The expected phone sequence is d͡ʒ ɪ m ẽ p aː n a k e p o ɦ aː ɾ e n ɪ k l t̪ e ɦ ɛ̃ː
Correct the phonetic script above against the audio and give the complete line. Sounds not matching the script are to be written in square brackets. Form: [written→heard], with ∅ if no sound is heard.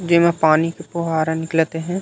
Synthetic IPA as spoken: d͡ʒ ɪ m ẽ p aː n [a→i] k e p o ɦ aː ɾ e n ɪ k l t̪ e ɦ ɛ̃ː